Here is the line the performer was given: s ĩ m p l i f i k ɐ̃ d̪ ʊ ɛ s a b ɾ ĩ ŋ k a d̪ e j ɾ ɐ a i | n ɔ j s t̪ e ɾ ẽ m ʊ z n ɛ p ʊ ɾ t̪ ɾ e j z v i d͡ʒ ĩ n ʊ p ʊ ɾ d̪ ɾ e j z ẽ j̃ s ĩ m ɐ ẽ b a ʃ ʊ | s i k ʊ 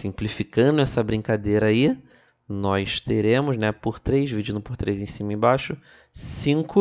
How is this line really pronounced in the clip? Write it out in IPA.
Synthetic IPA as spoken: s ĩ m p l i f i k ɐ̃ d̪ ʊ ɛ s ɐ b ɾ ĩ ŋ k a d̪ e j ɾ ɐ a i | n ɔ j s t̪ e ɾ ẽ m ʊ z n ɛ p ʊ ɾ t̪ ɾ e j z v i d͡ʒ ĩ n ʊ p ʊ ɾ t̪ ɾ e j z ẽ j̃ s ĩ m ɐ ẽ b a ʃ ʊ | s ĩ k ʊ